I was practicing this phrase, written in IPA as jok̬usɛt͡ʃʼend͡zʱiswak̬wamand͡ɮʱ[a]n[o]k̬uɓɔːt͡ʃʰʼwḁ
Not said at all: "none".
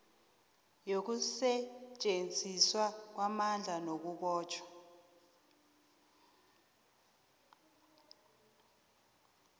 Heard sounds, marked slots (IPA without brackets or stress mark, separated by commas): a, o